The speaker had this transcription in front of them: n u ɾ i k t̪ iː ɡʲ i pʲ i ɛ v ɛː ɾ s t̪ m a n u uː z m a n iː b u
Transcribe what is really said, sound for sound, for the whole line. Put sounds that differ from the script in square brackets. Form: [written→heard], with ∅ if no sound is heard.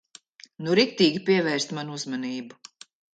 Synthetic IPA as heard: n u ɾ i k t̪ iː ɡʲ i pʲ i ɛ v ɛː ɾ s t̪ m a n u [uː→u] z m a n iː b u